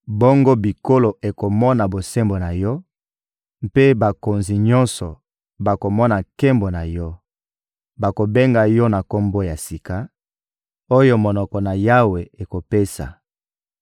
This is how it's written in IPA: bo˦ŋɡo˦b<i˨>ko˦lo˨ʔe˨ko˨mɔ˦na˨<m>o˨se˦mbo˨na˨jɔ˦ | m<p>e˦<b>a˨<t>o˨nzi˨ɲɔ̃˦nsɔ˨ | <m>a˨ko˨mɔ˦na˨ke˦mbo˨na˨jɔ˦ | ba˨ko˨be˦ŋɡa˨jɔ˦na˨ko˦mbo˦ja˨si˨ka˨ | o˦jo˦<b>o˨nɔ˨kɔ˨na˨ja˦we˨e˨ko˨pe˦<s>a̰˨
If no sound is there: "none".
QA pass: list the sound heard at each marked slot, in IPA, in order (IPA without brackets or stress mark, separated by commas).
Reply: i˨, b, p, b, k, b, m, s